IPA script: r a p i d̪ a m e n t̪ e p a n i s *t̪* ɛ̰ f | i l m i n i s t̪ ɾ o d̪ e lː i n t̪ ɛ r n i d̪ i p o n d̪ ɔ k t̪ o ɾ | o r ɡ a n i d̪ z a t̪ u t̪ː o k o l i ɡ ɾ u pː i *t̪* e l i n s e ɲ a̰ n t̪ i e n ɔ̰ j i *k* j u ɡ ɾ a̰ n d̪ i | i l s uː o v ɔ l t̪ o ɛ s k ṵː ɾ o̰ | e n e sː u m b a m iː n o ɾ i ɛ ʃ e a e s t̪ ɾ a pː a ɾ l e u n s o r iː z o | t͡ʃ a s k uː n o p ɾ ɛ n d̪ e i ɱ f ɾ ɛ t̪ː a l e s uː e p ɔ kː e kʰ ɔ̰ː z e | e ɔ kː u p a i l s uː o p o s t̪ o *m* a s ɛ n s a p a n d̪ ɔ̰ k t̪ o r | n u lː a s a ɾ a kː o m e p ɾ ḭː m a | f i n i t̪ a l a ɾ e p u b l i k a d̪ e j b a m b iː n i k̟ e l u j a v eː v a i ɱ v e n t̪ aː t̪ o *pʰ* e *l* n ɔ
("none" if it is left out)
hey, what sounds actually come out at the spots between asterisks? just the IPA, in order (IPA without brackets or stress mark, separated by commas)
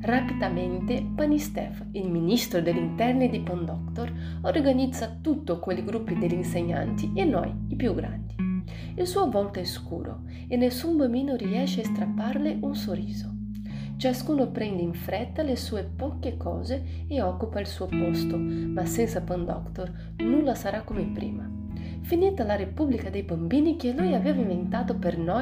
t̪, d̪, p, m, p, r